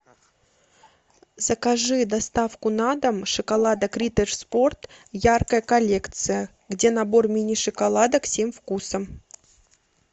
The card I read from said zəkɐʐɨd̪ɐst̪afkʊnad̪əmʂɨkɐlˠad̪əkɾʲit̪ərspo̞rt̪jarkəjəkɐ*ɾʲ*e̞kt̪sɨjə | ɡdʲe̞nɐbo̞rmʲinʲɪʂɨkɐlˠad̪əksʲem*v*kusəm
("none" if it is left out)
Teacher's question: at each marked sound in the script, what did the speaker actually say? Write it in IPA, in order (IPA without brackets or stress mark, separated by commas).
lʲ, f